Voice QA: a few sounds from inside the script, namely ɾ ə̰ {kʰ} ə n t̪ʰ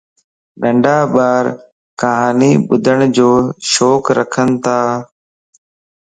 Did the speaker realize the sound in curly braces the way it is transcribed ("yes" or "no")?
yes